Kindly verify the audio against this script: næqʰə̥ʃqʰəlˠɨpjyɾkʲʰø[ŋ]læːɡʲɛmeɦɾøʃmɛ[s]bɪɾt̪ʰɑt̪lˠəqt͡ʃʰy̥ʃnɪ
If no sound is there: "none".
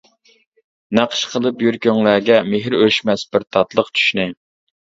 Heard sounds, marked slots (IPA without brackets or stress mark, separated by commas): ŋ, s